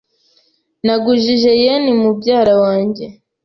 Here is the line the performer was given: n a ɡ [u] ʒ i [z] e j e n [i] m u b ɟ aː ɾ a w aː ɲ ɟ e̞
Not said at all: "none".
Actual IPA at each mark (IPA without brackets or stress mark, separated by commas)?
u, ʒ, i